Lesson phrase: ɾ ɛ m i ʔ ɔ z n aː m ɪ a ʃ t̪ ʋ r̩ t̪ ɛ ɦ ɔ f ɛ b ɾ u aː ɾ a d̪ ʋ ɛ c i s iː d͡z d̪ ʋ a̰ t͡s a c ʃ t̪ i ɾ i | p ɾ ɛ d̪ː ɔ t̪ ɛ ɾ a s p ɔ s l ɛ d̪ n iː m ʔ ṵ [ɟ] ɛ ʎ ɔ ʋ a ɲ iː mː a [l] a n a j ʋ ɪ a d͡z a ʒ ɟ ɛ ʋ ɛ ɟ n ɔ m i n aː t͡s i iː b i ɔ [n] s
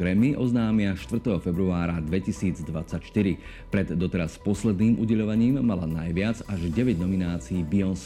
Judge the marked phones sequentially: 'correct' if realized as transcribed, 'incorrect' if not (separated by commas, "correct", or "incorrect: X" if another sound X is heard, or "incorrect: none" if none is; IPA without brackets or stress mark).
correct, correct, correct